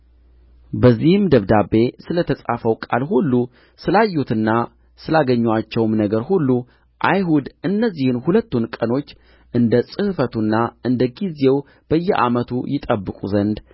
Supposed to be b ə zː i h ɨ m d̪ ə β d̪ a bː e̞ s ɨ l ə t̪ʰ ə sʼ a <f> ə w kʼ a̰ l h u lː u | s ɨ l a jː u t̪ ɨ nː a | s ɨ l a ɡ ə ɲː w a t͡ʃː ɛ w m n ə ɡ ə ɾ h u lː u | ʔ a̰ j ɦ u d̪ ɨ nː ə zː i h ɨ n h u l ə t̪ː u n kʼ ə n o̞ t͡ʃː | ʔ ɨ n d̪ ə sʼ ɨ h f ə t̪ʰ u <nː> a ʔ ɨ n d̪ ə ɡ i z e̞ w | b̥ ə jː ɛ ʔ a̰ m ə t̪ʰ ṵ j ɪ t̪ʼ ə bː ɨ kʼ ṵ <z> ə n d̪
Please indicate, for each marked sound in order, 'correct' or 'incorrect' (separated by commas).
correct, correct, correct